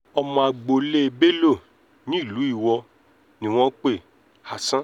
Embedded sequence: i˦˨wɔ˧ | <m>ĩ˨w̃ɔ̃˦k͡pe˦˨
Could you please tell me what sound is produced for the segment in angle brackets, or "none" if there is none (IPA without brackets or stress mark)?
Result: n